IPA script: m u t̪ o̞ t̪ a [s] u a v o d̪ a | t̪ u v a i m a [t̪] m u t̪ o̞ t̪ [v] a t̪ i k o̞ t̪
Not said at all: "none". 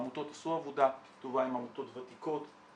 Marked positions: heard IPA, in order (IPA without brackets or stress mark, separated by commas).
s, none, v